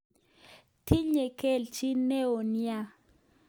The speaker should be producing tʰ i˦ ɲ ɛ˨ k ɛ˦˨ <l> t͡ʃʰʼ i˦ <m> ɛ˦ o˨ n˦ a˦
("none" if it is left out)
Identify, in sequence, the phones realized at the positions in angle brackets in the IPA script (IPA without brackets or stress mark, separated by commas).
l, n